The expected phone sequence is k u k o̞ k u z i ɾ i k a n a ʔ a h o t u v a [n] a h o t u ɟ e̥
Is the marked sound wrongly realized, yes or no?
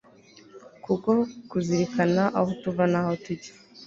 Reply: no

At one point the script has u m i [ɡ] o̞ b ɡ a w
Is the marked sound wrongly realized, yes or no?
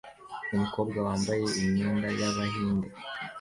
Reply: yes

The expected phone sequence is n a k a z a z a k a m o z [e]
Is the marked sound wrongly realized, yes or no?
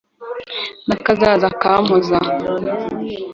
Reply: yes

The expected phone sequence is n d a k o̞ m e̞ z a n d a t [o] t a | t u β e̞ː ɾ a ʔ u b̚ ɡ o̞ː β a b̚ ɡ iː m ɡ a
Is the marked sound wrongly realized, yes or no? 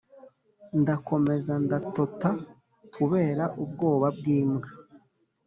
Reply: no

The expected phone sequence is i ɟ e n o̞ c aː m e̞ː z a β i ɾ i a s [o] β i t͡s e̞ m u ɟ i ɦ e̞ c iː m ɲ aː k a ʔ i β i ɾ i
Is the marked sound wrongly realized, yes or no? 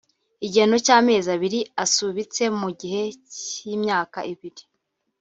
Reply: yes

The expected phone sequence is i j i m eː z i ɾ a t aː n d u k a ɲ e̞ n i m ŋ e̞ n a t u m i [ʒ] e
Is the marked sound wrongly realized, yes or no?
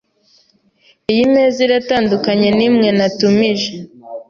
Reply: no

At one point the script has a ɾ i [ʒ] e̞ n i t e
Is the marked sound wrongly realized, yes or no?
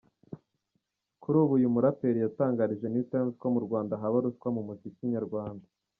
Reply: no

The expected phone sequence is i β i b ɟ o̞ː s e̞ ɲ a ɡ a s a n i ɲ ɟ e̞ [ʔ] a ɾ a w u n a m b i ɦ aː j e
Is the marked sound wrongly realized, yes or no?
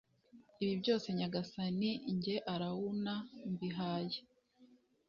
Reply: no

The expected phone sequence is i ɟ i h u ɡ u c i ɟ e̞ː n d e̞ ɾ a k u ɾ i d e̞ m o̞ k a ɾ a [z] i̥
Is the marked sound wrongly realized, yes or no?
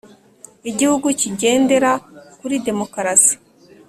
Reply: yes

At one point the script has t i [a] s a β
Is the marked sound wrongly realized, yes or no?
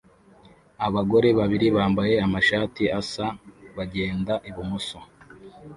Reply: no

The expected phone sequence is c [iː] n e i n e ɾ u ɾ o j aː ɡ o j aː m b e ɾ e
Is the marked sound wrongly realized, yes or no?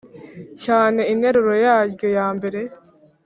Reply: yes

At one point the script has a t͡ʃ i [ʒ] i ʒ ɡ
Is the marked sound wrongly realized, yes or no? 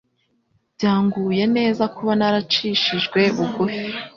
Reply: yes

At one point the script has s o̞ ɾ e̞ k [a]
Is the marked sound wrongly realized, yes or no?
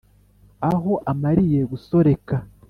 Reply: no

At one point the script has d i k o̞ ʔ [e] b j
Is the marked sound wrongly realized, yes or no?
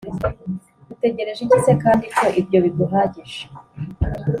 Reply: yes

